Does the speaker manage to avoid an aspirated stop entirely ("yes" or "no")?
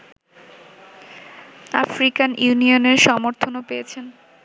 no